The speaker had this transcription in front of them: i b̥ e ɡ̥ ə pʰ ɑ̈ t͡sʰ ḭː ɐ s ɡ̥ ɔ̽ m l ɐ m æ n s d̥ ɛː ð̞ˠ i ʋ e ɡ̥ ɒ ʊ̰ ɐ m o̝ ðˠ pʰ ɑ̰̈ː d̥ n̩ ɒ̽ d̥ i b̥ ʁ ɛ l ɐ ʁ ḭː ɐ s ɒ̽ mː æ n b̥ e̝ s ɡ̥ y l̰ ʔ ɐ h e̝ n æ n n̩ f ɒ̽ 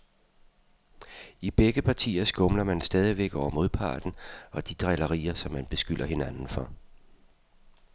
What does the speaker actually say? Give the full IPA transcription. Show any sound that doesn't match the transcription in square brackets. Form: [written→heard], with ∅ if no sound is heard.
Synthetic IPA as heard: i b̥ e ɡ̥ ə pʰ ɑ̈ t͡sʰ ḭː ɐ s ɡ̥ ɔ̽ m l ɐ m æ n s d̥ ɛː ð̞ˠ i ʋ e ɡ̥ ɒ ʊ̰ ɐ m o̝ ðˠ pʰ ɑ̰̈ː d̥ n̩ ɒ̽ d̥ i [b̥→d̥] ʁ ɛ l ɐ ʁ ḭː ɐ s ɒ̽ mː æ n b̥ e̝ s ɡ̥ y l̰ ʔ ɐ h e̝ n æ n n̩ f ɒ̽

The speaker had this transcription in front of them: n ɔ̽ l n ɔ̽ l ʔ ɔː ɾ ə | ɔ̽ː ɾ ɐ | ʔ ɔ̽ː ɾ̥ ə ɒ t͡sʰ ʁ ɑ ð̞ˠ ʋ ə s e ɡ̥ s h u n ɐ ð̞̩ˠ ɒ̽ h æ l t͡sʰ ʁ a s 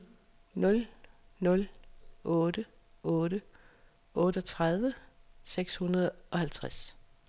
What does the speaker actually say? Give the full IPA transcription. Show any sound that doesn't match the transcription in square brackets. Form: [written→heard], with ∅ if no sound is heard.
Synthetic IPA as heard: n ɔ̽ l n ɔ̽ l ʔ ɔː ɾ ə | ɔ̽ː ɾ [ɐ→ə] | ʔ ɔ̽ː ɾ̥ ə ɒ t͡sʰ ʁ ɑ ð̞ˠ ʋ ə s e ɡ̥ s h u n ɐ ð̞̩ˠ ɒ̽ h æ l t͡sʰ ʁ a s

